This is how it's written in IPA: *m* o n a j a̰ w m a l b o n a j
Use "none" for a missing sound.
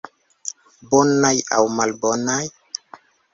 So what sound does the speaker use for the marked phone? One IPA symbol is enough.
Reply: b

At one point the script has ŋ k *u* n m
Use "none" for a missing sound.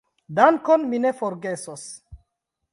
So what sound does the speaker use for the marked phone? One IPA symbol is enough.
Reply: o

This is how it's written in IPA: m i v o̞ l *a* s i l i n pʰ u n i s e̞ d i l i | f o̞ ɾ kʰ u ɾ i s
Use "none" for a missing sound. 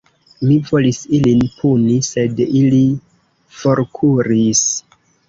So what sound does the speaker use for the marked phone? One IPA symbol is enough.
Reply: i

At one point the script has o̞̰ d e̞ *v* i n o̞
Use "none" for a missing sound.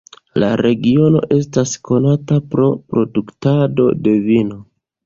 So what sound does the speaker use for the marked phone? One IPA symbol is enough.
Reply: v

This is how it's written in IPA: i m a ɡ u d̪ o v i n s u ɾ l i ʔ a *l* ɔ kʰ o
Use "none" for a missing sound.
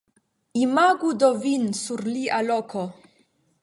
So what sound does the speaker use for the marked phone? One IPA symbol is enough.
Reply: l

